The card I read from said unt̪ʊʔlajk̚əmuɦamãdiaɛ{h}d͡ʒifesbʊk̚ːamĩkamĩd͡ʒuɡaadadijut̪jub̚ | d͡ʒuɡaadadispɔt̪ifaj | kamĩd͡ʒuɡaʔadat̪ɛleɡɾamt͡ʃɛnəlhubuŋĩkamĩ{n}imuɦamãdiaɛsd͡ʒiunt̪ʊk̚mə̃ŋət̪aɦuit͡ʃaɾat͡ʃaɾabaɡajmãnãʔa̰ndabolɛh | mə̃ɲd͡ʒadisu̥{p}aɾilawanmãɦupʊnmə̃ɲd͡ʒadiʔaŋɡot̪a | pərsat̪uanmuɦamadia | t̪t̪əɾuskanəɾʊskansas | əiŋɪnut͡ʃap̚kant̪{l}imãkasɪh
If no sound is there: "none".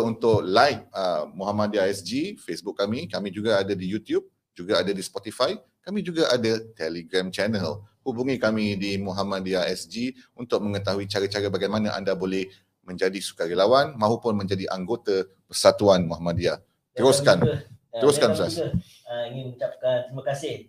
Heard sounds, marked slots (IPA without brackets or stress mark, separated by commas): s, d, k, ɾ